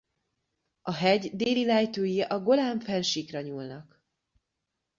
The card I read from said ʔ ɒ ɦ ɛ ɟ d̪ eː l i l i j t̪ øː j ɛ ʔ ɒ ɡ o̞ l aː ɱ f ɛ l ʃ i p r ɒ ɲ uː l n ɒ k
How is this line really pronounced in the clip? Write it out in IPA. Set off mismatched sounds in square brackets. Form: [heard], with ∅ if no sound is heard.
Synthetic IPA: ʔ ɒ ɦ ɛ ɟ d̪ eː l i l [ɛ] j t̪ øː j [i] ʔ ɒ ɡ o̞ l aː ɱ f ɛ l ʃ i [k] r ɒ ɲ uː l n ɒ k